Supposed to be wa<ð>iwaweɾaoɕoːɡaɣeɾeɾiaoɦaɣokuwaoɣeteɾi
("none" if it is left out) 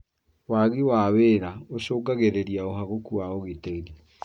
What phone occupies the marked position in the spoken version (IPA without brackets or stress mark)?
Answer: ɣ